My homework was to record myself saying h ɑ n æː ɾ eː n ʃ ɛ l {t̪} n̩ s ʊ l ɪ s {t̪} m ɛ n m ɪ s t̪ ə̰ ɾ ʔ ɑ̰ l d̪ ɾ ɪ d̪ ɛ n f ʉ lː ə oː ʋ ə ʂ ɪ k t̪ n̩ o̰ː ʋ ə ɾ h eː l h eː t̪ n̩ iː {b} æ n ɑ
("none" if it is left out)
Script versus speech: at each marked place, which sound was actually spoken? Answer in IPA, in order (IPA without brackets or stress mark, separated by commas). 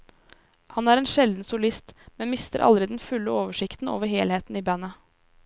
d̪, t̪, b